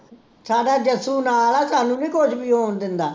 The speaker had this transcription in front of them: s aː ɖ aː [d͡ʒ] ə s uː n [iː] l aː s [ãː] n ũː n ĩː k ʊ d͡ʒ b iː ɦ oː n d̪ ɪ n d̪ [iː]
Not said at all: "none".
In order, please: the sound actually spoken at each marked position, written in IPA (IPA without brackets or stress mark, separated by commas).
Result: d͡ʒ, aː, aː, aː